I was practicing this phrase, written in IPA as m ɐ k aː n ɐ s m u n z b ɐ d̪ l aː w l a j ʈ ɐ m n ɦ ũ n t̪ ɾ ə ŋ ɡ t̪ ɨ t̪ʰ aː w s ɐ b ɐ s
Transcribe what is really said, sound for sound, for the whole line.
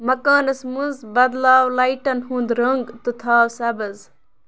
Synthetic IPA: m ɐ k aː n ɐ s m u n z b ɐ d̪ l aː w l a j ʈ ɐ n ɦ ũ n d̪ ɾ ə ŋ ɡ t̪ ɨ t̪ʰ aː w s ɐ b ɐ z